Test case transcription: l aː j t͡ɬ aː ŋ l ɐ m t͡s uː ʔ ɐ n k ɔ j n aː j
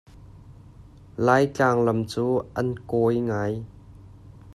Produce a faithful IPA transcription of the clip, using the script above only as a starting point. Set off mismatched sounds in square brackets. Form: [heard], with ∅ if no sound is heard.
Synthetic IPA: l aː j t͡ɬ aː ŋ l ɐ m t͡s uː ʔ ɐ n k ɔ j [ŋ] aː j